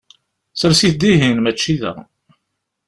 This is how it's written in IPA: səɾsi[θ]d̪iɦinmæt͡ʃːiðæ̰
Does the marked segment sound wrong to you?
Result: no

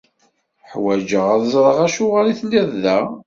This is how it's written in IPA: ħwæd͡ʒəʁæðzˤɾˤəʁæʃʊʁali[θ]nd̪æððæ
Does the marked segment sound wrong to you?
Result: no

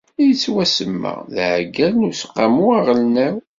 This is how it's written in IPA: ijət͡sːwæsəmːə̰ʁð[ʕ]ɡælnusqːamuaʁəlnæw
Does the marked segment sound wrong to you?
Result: no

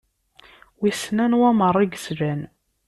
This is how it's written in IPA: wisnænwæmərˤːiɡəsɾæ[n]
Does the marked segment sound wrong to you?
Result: no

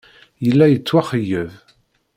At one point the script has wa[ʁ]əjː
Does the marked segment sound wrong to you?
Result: yes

